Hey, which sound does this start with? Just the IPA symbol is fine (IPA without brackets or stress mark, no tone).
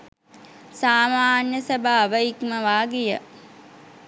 s